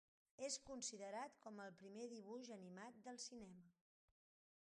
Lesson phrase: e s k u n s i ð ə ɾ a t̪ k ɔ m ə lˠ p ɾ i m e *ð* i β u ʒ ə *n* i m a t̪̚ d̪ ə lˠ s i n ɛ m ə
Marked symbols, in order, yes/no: yes, yes

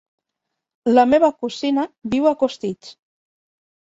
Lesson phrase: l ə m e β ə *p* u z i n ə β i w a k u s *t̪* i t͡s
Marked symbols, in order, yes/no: no, yes

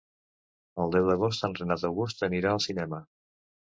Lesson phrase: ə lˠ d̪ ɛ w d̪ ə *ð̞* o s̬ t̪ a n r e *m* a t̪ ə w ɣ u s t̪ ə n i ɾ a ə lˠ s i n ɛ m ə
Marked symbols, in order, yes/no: no, no

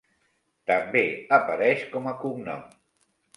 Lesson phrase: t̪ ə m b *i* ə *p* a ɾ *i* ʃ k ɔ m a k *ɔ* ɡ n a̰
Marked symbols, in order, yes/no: no, yes, no, no

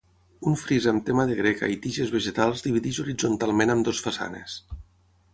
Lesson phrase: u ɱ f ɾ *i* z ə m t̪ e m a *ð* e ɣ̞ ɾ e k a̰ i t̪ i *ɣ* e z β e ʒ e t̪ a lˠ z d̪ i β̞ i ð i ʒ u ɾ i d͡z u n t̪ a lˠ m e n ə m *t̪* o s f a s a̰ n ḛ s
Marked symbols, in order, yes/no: yes, yes, no, no

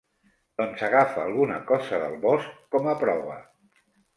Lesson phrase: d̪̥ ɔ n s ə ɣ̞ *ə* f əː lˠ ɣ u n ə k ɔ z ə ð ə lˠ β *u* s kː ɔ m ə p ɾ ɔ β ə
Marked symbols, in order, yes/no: no, no

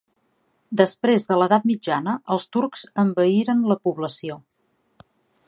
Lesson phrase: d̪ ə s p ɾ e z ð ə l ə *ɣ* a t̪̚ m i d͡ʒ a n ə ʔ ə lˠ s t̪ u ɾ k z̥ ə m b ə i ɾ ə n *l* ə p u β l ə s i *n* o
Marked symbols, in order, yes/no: no, yes, no

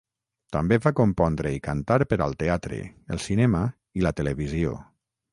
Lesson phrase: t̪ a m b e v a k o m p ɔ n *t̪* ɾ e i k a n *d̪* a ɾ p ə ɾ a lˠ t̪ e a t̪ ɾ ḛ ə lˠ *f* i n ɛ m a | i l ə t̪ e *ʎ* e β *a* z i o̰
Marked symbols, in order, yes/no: no, no, no, no, no

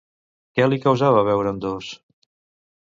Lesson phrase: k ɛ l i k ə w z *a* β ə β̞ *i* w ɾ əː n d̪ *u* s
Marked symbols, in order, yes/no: yes, no, no

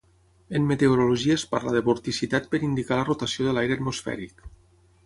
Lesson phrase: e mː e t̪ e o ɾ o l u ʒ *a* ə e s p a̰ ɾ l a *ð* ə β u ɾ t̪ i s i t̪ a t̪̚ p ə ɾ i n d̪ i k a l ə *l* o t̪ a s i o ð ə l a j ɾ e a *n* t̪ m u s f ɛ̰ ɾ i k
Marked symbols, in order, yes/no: no, yes, no, no

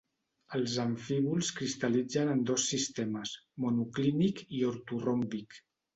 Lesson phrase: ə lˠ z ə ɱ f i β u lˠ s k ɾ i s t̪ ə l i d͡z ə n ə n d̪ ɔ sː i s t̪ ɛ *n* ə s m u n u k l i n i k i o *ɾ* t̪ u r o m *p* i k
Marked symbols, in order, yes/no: no, yes, no

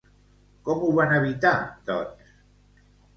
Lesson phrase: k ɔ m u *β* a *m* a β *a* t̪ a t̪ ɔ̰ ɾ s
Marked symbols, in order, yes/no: yes, no, no

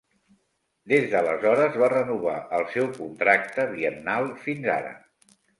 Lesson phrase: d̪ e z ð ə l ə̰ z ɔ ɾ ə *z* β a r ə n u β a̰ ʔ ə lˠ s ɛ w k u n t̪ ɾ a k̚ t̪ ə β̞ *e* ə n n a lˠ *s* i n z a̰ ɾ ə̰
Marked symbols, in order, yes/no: yes, no, no

